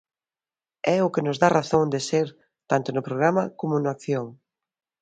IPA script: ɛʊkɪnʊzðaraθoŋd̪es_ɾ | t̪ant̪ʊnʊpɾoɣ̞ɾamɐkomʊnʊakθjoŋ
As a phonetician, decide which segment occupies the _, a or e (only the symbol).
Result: e